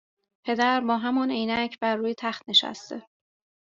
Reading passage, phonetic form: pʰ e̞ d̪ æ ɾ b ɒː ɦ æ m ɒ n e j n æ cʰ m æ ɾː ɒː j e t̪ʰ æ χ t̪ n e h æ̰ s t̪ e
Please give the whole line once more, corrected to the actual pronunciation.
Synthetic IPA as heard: pʰ e̞ d̪ æ ɾ b ɒː ɦ æ m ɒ n e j n æ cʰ b æ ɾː uː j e t̪ʰ æ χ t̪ n e ʃ æ̰ s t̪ e